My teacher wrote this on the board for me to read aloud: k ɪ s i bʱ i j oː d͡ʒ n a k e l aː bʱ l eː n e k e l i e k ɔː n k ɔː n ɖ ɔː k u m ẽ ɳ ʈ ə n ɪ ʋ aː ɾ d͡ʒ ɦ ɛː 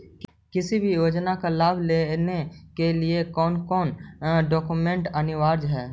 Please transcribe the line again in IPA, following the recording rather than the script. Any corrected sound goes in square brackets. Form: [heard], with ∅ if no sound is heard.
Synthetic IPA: k ɪ s i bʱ i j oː d͡ʒ n a k [a] l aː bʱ l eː n e k e l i e k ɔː n k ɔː n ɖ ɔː k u m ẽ ɳ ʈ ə n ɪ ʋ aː ɾ d͡ʒ ɦ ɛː